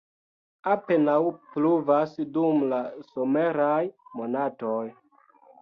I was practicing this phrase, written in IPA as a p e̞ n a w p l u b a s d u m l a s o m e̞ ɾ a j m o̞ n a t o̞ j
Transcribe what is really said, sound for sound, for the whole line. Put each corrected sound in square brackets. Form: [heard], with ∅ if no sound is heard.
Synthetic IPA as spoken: a p e̞ n a w p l u [v] a s d u m l a s o m e̞ ɾ a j m o̞ n a t o̞ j